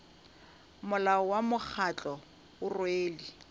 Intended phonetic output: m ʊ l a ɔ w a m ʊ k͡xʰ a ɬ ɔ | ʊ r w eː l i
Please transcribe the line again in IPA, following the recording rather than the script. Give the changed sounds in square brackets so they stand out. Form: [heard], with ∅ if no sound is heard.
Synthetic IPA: m ʊ l a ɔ w a m ʊ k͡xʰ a [t͡ɬ] ɔ | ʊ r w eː l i